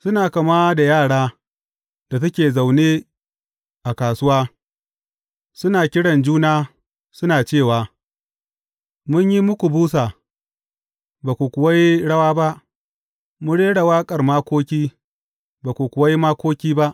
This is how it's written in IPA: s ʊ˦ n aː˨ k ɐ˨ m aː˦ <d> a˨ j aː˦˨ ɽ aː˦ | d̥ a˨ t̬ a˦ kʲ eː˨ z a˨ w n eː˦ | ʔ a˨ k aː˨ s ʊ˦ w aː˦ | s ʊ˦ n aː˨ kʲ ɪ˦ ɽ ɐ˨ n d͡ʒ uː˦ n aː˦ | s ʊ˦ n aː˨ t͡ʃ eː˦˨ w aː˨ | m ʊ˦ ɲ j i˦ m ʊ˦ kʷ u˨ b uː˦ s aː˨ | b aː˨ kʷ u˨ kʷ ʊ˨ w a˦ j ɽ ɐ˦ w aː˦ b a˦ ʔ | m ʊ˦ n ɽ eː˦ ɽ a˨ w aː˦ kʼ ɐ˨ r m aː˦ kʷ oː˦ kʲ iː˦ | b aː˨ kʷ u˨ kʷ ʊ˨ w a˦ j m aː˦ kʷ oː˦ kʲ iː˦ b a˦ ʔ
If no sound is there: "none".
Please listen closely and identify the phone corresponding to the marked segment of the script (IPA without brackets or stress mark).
d